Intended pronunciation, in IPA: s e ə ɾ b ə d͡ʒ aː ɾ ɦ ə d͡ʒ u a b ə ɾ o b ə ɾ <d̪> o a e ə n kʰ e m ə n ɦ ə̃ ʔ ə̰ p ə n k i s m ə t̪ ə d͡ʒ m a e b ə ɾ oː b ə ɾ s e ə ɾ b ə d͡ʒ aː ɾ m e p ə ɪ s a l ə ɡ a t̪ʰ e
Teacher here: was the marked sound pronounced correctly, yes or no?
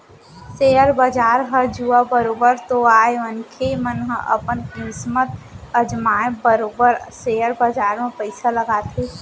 no